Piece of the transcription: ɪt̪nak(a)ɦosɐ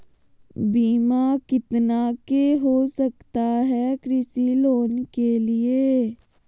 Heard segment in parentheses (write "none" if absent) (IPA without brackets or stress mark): e